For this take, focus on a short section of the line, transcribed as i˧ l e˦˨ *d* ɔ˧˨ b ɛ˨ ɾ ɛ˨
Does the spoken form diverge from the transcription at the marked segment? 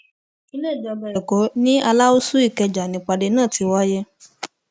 yes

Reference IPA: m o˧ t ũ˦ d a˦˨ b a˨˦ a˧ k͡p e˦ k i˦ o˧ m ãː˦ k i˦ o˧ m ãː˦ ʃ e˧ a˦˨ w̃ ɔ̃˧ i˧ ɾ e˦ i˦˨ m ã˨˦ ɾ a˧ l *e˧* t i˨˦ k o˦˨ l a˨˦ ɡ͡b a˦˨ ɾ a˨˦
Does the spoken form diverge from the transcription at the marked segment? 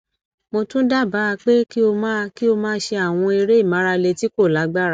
no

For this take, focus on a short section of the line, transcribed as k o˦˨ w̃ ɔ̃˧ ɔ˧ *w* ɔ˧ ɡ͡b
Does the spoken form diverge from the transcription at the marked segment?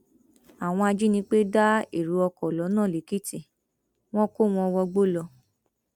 no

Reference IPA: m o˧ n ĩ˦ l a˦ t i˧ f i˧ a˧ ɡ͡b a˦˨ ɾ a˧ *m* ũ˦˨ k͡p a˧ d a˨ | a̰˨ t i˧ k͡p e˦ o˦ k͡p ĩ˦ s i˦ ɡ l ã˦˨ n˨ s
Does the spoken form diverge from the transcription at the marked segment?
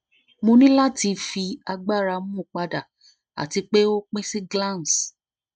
no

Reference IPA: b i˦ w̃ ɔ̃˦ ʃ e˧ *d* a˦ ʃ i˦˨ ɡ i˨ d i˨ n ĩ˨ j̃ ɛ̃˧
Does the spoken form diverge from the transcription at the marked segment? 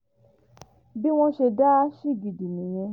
no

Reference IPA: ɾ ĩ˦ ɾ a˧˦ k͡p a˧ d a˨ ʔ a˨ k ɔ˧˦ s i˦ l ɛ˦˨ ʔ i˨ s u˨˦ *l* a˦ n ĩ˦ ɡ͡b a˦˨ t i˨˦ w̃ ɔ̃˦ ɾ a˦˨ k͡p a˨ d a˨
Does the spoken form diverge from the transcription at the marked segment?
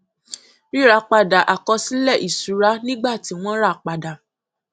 yes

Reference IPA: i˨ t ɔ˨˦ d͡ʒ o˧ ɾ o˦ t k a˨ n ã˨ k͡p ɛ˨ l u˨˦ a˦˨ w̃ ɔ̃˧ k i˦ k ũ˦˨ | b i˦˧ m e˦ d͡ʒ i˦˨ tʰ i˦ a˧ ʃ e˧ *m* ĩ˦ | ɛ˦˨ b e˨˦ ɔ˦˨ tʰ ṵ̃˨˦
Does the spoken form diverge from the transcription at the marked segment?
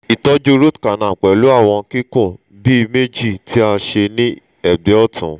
yes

